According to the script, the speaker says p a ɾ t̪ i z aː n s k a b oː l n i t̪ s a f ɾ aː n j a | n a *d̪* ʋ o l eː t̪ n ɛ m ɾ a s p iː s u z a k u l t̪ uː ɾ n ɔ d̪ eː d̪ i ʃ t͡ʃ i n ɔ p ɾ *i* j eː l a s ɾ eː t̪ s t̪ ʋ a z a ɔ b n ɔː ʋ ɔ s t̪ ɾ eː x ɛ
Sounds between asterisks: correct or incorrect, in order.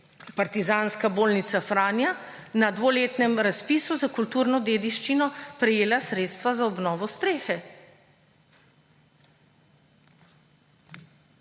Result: correct, incorrect: ɛ

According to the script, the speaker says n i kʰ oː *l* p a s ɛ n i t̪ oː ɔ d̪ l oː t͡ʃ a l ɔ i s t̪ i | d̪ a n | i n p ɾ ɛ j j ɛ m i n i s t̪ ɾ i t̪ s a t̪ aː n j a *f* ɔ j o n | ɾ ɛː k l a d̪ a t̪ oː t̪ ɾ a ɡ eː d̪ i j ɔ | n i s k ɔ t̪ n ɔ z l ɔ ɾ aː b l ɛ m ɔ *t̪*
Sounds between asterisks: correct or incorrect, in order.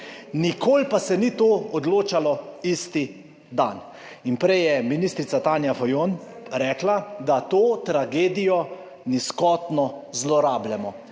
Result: correct, correct, incorrect: none

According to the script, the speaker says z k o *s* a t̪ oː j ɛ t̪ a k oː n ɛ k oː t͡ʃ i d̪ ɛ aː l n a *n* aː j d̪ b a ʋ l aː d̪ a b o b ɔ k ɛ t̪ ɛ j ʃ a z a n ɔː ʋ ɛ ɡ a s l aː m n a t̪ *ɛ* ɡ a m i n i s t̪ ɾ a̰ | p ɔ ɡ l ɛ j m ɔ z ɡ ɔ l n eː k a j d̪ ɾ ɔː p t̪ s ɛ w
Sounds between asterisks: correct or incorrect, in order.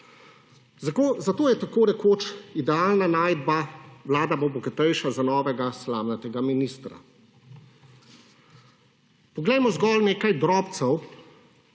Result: incorrect: z, correct, correct

